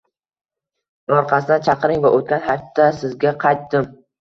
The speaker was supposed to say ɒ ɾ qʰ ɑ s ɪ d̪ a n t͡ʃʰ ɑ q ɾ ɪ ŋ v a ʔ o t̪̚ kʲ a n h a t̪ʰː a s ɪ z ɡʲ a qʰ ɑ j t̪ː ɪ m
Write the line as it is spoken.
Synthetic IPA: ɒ ɾ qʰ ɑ s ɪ d̪ a n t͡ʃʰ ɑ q ɾ ɪ ŋ v a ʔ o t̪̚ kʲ a n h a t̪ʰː a s ɪ z ɡʲ a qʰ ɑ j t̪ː ɪ m

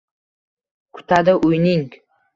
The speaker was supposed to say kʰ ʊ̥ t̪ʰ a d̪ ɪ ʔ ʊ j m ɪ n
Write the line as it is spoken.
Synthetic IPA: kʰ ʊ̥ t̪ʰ a d̪ ɪ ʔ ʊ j n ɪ ŋ

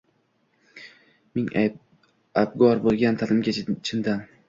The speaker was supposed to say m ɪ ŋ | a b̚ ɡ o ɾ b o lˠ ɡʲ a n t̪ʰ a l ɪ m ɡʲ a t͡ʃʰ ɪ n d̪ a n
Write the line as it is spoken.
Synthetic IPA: m ɪ ŋ | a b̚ ɡ ɒ ɾ b o lˠ ɡʲ a n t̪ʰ a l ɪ m ɡʲ a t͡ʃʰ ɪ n d̪ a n

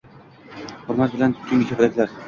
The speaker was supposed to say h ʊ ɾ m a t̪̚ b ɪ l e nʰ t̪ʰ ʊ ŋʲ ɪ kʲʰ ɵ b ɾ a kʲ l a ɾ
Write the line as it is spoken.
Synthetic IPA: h ʊ ɾ m a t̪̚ b ɪ l a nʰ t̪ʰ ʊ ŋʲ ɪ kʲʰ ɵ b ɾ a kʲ l a ɾ

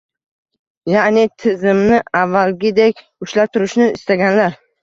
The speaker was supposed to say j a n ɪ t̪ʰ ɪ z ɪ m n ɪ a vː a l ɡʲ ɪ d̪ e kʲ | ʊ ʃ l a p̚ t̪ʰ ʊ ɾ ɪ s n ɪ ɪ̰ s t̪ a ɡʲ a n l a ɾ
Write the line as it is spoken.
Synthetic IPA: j a n ɪ t̪ʰ ɪ z ɪ m n ɪ a vː a l ɡʲ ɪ d̪ e kʲ | ʊ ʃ l a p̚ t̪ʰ ʊ ɾ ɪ ʃ n ɪ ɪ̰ s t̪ a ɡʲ a n l a ɾ

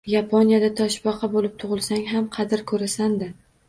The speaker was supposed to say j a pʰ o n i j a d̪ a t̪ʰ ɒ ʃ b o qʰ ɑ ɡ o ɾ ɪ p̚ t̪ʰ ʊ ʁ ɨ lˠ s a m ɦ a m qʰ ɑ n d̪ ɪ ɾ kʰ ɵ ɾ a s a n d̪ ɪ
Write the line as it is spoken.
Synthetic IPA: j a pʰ o n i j a d̪ a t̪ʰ ɒ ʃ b ɒ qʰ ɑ b o l ɪ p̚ t̪ʰ ʊ ʁ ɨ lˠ s a ŋ ɦ a m qʰ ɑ d̪ ɪ ɾ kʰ ɵ ɾ a s a n d̪ ɪ

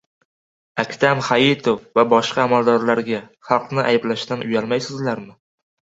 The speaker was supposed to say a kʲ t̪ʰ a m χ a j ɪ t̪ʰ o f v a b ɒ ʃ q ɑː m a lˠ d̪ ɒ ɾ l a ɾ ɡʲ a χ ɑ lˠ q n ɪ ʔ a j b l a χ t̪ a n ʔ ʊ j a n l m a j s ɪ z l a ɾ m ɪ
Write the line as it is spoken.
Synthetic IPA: a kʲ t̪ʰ a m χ a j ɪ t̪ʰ o f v a b ɒ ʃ q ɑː m a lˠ d̪ ɒ ɾ l a ɾ ɡʲ a χ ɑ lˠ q n ɪ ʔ a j b l a ʃ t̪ a n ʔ ʊ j a l m a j s ɪ z l a ɾ m ɪ

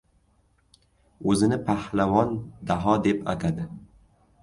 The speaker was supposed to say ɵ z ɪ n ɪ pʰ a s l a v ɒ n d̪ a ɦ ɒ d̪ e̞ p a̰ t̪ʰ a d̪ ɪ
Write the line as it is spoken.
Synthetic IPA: ɵ z ɪ n ɪ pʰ a h l a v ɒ n d̪ a ɦ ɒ d̪ e̞ p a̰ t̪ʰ a d̪ ɪ

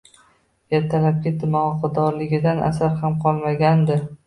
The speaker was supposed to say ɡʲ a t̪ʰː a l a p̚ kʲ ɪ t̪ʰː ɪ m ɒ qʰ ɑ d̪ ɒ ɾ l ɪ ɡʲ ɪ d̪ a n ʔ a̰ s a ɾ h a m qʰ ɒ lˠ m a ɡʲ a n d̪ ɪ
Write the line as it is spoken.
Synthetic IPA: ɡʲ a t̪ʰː a l a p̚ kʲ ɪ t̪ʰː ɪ m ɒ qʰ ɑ d̪ ɒ ɾ l ɪ ɡʲ ɪ d̪ a n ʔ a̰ s a ɾ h a m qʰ ɒ lˠ m a ɡʲ a n d̪ ɪ

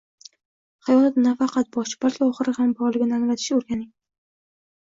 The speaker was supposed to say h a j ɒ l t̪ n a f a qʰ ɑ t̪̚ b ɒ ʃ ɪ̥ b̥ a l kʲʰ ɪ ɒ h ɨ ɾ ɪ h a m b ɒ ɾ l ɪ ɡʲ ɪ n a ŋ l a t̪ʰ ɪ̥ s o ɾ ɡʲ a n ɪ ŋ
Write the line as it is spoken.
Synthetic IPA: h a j ɒ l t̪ n a f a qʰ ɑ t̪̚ b ɒ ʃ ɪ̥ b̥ a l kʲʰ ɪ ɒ χ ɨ ɾ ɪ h a m b ɒ ɾ l ɪ ɡʲ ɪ n a ŋ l a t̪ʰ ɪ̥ ʃ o ɾ ɡʲ a n ɪ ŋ

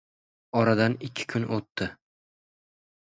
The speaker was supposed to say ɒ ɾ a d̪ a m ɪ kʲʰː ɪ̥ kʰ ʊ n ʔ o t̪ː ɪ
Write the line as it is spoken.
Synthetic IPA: ɒ ɾ a d̪ a n ɪ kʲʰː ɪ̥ kʰ ʊ n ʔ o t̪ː ɪ

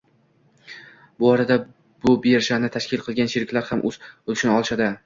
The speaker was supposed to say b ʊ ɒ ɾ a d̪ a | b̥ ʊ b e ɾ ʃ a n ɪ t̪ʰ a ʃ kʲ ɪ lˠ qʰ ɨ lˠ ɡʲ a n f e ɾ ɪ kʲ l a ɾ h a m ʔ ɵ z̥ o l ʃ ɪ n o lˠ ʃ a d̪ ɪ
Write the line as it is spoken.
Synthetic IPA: b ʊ ɒ ɾ a d̪ a | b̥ ʊ b e ɾ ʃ a n ɪ t̪ʰ a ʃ kʲ ɪ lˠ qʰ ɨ lˠ ɡʲ a n ʃ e ɾ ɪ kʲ l a ɾ h a m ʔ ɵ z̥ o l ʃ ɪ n ɒ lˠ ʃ a d̪ ɪ

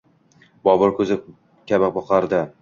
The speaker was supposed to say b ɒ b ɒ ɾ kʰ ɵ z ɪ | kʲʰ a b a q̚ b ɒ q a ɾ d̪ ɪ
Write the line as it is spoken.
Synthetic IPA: b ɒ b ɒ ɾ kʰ ɵ z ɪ | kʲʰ a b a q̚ b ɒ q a ɾ d̪ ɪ

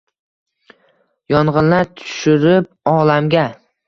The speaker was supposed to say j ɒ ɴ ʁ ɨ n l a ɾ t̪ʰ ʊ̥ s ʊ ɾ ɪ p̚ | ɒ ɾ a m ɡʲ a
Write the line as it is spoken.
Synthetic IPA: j ɒ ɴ ʁ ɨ n l a ɾ t̪ʰ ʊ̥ ʃ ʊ ɾ ɪ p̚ | ɒ l a m ɡʲ a

